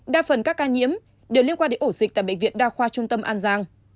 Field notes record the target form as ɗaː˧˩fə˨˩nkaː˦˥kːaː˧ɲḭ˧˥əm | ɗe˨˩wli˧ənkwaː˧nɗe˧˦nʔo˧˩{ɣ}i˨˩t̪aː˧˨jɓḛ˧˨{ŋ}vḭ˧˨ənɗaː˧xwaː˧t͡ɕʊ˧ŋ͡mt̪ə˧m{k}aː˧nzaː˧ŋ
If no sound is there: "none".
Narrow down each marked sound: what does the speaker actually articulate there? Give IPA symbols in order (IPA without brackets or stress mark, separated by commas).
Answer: z, ŋ, ʔ